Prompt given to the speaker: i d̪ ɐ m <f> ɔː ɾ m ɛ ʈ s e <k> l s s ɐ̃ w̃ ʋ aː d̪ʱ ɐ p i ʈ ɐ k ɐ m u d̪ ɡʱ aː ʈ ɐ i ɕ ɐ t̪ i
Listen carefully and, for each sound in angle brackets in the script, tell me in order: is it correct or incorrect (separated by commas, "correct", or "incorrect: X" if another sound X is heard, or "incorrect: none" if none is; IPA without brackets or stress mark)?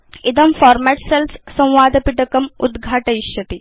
correct, incorrect: none